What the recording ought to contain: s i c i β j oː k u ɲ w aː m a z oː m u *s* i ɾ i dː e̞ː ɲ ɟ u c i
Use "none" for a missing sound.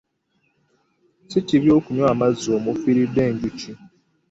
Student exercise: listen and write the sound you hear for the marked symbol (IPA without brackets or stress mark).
f